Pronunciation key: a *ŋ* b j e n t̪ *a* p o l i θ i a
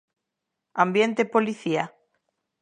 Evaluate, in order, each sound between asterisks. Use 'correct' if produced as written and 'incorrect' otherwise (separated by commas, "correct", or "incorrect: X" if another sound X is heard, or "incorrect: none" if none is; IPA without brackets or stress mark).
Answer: incorrect: m, incorrect: e